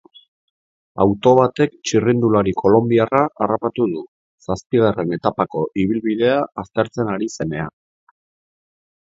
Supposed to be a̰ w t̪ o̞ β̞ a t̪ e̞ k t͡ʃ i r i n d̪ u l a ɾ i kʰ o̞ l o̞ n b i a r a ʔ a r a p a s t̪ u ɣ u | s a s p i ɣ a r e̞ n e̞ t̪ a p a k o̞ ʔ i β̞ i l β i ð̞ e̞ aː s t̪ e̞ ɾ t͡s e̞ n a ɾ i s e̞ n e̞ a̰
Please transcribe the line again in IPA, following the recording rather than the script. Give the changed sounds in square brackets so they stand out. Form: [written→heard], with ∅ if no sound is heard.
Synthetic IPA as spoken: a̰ w t̪ o̞ β̞ a t̪ e̞ k t͡ʃ i r i n d̪ u l a ɾ i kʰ o̞ l o̞ [n→m] b i a r a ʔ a r a p a [s→∅] t̪ u [ɣ→ð] u | s a s p i ɣ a r e̞ n e̞ t̪ a p a k o̞ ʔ i β̞ i l β i ð̞ e̞ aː s t̪ e̞ ɾ t͡s e̞ n a ɾ i s e̞ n e̞ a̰